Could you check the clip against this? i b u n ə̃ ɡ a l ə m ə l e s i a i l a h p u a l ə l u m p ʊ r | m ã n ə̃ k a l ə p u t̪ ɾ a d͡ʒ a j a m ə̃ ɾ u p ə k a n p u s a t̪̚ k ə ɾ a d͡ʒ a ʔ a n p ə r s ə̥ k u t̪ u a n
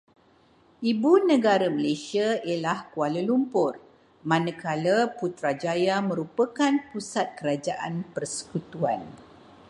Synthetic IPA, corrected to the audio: i b u n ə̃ ɡ a ɾ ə m ə l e s i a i l a h k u a l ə l u m p ʊ r | m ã n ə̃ k a l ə p u t̪ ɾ a d͡ʒ a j a m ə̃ ɾ u p ə k a n p u s a t̪̚ k ə ɾ a d͡ʒ a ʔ a n p ə r s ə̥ k u t̪ u a n